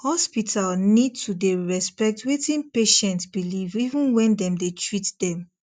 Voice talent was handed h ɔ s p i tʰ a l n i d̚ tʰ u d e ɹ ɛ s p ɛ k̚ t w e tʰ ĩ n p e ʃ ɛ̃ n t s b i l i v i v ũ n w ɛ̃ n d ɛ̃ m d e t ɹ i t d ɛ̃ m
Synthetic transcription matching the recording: h ɔ s p i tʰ a l n i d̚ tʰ u d e ɹ ɛ s p ɛ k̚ t w e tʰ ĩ n p e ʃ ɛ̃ n t s b i l i v i v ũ n w ɛ̃ n d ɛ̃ m d e t ɹ i t d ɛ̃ m